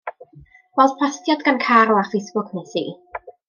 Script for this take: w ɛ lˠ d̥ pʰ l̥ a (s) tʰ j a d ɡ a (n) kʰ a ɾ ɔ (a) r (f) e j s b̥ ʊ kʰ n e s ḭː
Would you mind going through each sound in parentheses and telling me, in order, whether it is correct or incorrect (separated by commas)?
correct, correct, correct, correct